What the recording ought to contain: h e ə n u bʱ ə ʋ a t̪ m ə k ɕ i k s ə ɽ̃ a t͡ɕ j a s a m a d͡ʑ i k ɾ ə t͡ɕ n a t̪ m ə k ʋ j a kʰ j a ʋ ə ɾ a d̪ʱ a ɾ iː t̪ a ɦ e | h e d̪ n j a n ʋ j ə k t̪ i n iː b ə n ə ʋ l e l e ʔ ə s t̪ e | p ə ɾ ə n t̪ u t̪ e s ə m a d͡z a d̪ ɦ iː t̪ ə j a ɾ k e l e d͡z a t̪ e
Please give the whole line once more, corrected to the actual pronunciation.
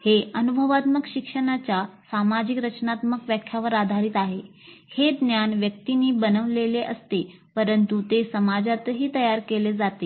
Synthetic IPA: h e ə n u bʱ ə ʋ a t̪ m ə k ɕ i k ʂ ə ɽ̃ a t͡ɕ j a s a m a d͡ʑ i k ɾ ə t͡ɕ n a t̪ m ə k ʋ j a kʰ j a ʋ ə ɾ a d̪ʱ a ɾ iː t̪ a ɦ e | h e d̪ n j a n ʋ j ə k t̪ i n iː b ə n ə ʋ l e l e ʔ ə s t̪ e | p ə ɾ ə n t̪ u t̪ e s ə m a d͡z a t̪ ɦ iː t̪ ə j a ɾ k e l e d͡z a t̪ e